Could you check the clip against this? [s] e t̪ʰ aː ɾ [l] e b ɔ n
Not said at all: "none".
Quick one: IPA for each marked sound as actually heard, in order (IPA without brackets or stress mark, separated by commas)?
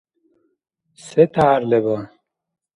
s, l